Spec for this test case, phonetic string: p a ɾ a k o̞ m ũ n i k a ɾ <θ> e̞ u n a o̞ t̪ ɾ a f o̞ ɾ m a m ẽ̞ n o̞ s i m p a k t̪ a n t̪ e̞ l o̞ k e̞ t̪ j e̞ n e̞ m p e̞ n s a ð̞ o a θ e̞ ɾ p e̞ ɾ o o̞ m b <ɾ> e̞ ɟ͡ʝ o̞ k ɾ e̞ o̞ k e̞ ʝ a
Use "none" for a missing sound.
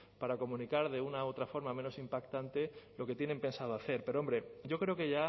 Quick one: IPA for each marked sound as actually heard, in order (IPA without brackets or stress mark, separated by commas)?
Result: ð, ɾ